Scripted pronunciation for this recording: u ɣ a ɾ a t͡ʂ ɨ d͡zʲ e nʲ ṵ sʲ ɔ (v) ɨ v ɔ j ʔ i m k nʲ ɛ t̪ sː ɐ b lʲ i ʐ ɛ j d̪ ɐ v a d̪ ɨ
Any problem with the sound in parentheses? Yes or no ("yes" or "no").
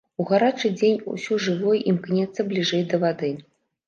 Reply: yes